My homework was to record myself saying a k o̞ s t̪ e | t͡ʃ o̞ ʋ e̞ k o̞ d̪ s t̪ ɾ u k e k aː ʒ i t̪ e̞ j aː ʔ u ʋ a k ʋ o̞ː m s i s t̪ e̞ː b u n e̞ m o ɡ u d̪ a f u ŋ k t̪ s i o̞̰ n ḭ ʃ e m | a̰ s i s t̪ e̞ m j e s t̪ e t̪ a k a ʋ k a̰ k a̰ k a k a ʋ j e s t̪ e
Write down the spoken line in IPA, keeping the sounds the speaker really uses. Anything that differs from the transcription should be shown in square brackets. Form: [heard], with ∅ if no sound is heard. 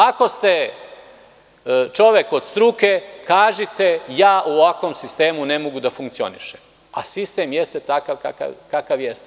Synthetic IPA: a k o̞ s t̪ e | t͡ʃ o̞ ʋ e̞ k o̞ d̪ s t̪ ɾ u k e k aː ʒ i t̪ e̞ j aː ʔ u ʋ a k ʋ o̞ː m s i s t̪ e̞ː [m] u n e̞ m o ɡ u d̪ a f u ŋ k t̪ s i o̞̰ n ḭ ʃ e m | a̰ s i s t̪ e̞ m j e s t̪ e t̪ a k a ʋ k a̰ k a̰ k a k a ʋ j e s t̪ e